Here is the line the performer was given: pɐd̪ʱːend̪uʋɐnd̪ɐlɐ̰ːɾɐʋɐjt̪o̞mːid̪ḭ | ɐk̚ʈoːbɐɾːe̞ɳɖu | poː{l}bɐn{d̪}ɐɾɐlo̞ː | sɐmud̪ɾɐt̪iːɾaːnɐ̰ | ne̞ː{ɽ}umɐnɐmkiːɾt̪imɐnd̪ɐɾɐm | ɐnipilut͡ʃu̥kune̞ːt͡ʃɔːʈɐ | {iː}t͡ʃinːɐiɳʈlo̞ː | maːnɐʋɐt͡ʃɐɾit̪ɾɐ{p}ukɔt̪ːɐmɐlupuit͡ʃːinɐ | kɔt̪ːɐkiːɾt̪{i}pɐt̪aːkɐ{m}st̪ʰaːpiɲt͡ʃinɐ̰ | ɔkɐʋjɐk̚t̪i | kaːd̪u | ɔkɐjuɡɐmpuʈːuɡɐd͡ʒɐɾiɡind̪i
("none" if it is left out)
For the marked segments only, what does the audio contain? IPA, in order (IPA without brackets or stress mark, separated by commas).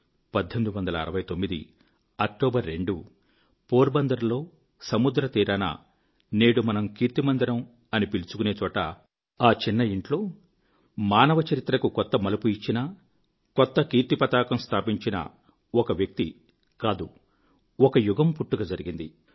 ɾ, d̪, ɽ, aː, k, i, m